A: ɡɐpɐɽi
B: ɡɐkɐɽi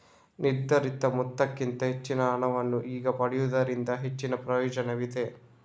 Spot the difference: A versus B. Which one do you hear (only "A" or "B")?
A